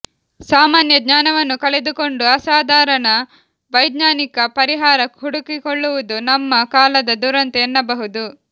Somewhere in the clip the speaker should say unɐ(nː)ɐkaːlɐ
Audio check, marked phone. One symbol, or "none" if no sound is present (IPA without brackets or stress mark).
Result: mː